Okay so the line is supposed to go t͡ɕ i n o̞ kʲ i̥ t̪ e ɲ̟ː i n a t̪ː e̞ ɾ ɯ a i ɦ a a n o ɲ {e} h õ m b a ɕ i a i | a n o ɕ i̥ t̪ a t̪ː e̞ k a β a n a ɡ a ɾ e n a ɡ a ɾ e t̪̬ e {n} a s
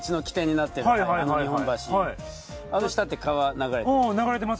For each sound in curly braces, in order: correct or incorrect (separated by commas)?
incorrect, incorrect